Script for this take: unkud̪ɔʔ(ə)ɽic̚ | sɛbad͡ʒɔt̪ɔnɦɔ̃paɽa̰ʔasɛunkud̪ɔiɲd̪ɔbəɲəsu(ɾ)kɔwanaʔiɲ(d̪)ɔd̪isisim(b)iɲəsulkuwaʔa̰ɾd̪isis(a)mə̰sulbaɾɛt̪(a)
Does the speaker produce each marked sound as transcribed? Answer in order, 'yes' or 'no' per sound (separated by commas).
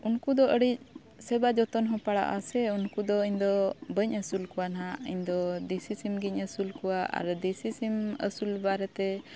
yes, no, yes, no, no, no